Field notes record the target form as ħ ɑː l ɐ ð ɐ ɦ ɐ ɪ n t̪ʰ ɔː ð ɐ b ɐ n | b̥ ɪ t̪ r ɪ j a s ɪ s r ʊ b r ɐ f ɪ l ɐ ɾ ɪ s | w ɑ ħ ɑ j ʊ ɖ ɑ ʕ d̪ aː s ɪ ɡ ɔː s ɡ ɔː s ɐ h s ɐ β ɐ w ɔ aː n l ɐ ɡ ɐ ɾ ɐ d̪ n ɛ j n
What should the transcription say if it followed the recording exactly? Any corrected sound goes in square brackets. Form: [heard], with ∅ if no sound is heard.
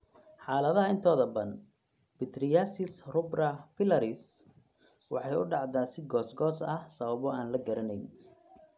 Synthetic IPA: ħ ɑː l ɐ ð ɐ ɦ ɐ ɪ n t̪ʰ ɔː ð ɐ b ɐ n | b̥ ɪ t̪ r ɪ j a s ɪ s r ʊ b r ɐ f ɪ l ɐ ɾ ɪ s | w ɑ ħ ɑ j ʊ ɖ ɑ ʕ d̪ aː s ɪ ɡ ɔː s ɡ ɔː s ɐ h s ɐ β ɐ [β] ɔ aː n l ɐ ɡ ɐ ɾ ɐ [∅] n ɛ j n